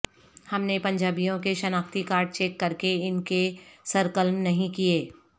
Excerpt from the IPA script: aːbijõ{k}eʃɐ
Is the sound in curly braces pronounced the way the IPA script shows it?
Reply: yes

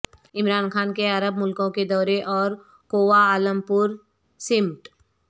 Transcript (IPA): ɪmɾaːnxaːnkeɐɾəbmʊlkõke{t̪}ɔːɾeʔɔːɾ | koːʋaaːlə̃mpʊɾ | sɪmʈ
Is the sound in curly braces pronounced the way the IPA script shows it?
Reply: no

